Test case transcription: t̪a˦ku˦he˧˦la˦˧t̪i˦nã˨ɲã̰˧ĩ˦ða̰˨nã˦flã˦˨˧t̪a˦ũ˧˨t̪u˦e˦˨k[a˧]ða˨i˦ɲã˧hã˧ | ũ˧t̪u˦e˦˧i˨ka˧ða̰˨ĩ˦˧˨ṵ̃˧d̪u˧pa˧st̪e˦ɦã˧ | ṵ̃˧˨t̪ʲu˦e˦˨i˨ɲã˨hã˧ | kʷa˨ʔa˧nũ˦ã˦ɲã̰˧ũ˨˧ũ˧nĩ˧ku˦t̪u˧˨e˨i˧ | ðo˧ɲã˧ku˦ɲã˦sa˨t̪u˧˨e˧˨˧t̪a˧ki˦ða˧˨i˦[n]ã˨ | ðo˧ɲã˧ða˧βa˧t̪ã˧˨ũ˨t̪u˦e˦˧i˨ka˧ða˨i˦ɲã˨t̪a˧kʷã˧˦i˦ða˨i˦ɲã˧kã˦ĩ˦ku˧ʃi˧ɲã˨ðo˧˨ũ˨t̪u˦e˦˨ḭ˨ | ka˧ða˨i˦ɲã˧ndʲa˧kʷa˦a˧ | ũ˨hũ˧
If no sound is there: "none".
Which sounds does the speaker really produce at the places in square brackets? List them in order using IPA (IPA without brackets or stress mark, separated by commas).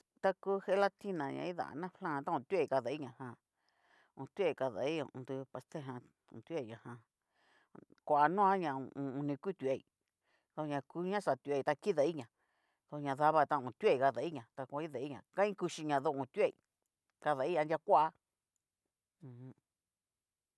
a˧, ɲ